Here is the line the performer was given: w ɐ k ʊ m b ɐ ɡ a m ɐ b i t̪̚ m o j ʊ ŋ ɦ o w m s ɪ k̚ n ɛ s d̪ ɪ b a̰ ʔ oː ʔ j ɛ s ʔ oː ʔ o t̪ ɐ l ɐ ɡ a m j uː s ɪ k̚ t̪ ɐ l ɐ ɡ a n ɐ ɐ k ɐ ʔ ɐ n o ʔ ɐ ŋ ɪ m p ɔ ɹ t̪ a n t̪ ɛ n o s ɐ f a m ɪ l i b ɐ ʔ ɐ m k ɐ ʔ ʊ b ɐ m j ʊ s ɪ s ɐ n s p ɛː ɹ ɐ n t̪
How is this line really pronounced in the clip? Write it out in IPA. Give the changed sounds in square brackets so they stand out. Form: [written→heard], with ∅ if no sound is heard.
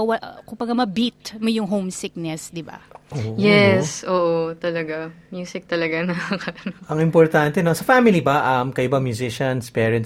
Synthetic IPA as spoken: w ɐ k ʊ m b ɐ ɡ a m ɐ b i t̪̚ m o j ʊ ŋ ɦ o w m s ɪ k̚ n ɛ s d̪ ɪ b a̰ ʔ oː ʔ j ɛ s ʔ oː ʔ o t̪ ɐ l ɐ ɡ a m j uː s ɪ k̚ t̪ ɐ l ɐ ɡ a n ɐ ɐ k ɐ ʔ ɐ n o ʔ ɐ ŋ ɪ m p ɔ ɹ t̪ a n t̪ ɛ n o s ɐ f a m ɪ l i b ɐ ʔ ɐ m k ɐ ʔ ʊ b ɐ m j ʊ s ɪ [s→ʃ] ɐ n s p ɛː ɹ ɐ n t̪